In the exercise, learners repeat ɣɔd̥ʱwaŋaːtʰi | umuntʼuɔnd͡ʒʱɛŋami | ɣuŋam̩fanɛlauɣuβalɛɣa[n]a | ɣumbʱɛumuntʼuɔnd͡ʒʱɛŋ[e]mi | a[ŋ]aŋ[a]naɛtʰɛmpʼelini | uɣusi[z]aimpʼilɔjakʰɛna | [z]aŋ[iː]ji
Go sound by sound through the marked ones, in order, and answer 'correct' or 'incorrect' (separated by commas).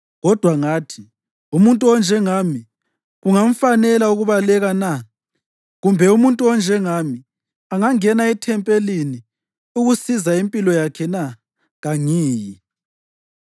correct, incorrect, correct, incorrect, correct, incorrect, correct